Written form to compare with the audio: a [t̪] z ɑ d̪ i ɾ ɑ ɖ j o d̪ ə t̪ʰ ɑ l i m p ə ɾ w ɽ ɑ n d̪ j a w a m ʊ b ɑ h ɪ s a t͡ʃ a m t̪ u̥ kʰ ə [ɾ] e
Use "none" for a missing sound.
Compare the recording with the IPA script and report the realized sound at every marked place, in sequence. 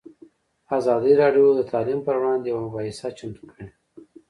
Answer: none, ɽ

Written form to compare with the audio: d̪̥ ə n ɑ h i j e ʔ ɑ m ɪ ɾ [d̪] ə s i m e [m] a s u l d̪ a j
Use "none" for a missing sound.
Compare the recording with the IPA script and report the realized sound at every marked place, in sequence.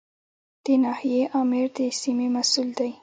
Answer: d̪, m

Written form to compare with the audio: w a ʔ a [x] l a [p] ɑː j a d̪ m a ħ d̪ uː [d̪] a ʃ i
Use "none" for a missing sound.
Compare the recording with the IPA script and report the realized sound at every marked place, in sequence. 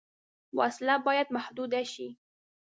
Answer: s, b, d̪

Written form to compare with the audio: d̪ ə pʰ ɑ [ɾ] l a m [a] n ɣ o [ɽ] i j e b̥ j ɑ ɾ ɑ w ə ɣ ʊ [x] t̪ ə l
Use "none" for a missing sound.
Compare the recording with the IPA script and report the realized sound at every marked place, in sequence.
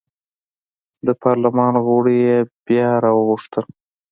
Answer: ɾ, ɑ, ɽ, ʂ

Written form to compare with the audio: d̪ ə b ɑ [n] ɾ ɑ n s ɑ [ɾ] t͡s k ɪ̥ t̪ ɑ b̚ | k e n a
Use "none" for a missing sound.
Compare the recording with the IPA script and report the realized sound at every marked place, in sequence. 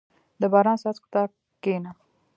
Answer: none, none

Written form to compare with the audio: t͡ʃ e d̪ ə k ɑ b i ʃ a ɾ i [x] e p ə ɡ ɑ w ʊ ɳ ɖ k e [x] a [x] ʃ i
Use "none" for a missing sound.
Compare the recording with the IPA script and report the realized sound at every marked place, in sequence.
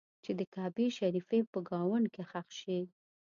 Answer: f, x, x

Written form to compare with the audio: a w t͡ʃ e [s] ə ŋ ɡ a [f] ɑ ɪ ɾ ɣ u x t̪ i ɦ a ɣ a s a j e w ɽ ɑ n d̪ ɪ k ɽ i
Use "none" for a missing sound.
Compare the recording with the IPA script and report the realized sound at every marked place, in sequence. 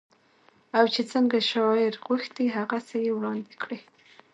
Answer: t͡s, ʃ

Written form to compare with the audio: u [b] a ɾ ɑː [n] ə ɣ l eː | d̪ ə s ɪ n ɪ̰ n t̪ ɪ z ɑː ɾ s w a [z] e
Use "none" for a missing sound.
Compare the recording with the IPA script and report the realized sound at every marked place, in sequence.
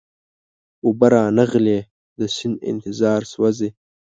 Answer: b, n, z

